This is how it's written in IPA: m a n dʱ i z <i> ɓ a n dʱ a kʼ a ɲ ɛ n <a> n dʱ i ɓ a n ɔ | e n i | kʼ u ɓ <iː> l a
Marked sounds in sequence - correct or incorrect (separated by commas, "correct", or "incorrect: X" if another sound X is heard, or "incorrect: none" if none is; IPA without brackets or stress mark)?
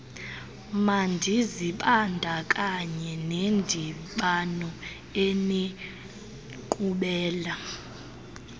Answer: correct, incorrect: e, incorrect: ɛː